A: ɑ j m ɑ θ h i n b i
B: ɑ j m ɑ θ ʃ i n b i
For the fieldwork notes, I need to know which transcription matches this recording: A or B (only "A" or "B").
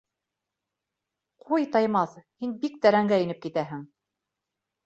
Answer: A